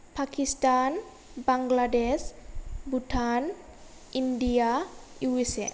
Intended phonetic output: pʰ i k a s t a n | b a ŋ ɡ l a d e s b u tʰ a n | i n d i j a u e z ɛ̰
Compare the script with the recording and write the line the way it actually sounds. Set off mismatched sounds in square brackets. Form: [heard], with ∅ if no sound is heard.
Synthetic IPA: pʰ [a] k [i] s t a n | b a ŋ ɡ l a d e s b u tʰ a n | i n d i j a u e [s] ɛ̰